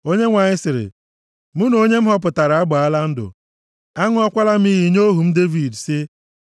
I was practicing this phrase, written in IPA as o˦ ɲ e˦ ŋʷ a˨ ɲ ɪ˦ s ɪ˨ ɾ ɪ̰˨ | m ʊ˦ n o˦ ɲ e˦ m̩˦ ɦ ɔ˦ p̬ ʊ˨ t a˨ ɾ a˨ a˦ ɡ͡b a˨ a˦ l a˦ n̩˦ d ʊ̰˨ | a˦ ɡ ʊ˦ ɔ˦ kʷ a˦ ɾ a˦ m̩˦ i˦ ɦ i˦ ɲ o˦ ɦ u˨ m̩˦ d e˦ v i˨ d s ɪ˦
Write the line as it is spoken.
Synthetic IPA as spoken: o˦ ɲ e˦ ŋʷ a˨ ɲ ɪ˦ s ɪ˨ ɾ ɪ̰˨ | m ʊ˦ n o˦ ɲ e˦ m̩˦ ɦ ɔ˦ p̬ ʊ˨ t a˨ ɾ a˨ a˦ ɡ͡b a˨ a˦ l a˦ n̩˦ d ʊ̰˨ | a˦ ŋ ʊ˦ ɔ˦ kʷ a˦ l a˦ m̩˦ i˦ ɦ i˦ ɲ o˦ ɦ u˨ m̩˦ d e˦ v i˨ d s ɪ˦